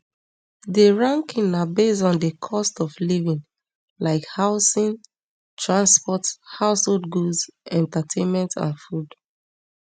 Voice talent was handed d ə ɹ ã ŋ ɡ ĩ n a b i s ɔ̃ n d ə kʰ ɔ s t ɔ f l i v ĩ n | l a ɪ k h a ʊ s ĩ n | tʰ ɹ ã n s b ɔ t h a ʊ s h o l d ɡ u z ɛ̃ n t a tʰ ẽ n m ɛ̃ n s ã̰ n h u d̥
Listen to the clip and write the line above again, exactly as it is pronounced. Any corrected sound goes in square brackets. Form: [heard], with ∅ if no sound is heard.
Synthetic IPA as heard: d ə ɹ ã ŋ [k] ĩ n a b [e] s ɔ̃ n d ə kʰ ɔ s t ɔ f l i v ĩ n | l a ɪ k h a ʊ s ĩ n | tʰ ɹ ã n s [p] ɔ t h a ʊ s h o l d ɡ u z ɛ̃ n t a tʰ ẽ n m ɛ̃ n [t] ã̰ n [f] u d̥

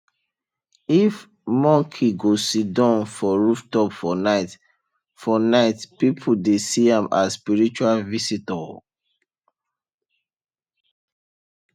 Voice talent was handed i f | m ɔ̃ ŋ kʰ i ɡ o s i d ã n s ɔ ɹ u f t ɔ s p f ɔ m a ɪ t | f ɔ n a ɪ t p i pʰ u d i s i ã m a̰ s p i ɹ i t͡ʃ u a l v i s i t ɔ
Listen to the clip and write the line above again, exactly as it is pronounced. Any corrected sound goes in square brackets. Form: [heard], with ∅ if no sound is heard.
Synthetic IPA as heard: i f | m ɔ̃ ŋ kʰ i ɡ o s i d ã n [f] ɔ ɹ u f t ɔ [∅] p f ɔ [n] a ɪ t | f ɔ n a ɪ t p i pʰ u d [e] s i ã m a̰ s p i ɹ i t͡ʃ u a l v i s i t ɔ

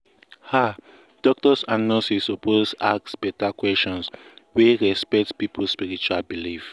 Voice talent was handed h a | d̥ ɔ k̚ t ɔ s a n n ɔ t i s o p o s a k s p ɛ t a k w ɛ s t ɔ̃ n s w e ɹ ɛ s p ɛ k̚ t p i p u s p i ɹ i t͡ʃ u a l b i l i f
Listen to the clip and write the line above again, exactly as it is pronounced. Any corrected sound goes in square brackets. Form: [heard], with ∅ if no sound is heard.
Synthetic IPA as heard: h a | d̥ ɔ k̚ t ɔ s a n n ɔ [s] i s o p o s a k s [b] ɛ t a k w ɛ s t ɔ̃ n s w e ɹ ɛ s p ɛ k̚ t p i p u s p i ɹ i t͡ʃ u a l b i l i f

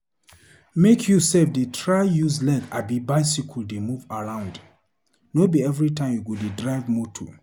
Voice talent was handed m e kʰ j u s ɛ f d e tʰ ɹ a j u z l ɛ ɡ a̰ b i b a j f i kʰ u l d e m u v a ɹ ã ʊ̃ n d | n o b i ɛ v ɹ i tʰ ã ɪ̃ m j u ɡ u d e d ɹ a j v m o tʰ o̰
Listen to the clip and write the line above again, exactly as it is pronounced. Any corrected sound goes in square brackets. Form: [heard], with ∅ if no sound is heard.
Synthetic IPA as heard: m e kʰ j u s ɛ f d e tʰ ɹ a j u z l ɛ ɡ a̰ b i b a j [s] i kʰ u l d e m u v a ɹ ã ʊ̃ n d | n o b i ɛ v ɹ i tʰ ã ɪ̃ m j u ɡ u d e d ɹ a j v m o tʰ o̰

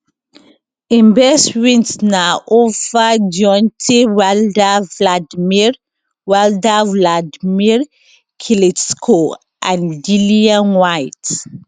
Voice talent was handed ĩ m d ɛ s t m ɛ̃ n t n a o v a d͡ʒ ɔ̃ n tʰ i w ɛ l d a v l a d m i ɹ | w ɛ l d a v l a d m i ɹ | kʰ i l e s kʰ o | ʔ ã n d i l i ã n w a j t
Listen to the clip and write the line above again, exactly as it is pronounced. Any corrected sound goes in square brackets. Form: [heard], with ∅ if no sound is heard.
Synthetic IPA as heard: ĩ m [b] ɛ s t m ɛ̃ n t n a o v a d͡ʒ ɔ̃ n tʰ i w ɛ l d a v l a d m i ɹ | w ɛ l d a v l a d m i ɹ | kʰ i l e s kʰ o | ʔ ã n d i l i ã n w a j t

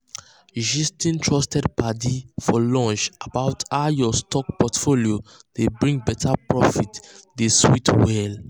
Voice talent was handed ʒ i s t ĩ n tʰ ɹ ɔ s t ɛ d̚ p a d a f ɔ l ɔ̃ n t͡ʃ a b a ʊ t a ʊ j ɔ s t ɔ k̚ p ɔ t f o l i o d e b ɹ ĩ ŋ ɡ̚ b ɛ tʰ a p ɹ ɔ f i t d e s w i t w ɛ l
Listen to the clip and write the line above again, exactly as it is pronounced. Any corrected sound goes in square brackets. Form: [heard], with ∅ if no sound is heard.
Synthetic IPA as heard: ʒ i s t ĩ n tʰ ɹ ɔ s t ɛ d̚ p a d [i] f ɔ l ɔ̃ n t͡ʃ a b a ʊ t a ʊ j ɔ s t ɔ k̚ p ɔ t f o l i o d e b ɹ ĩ ŋ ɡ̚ b ɛ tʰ a p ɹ ɔ f i t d e s w i t w ɛ l

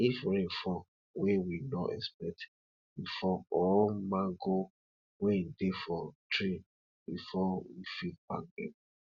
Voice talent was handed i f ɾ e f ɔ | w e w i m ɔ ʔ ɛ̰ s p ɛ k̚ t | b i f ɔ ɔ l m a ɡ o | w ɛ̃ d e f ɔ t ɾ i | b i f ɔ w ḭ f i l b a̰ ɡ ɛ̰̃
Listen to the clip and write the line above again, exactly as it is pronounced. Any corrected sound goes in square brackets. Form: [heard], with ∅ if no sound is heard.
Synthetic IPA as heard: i f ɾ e f ɔ | w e w i [n] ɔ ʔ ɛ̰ s p ɛ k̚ t | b i f ɔ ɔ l m a ɡ o | w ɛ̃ d e f ɔ t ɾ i | b i f ɔ w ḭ f i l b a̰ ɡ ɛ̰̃

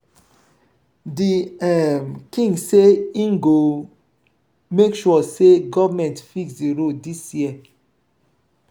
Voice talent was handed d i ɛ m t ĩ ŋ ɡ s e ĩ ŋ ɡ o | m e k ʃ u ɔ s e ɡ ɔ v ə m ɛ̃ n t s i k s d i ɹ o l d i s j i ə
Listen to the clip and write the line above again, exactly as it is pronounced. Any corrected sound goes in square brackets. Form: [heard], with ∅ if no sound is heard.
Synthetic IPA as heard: d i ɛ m [k] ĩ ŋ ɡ s e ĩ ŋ ɡ o | m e k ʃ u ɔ s e ɡ ɔ v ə m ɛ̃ n t [f] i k s d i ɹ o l d i s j i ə

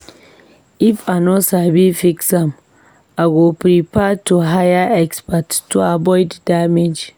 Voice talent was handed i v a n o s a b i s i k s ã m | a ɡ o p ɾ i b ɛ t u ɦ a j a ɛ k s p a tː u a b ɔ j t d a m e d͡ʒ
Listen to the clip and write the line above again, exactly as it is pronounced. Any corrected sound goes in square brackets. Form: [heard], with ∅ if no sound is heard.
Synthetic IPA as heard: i [f] a n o s a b i [f] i k s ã m | a ɡ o p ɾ i [p] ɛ t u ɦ a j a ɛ k s p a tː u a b ɔ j [d] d a m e d͡ʒ

